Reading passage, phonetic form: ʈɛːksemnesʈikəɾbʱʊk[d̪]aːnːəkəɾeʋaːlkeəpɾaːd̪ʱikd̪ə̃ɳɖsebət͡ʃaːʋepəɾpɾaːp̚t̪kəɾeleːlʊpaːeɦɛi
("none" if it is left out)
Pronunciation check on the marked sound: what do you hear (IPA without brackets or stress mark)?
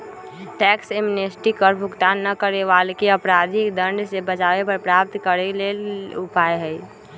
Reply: t̪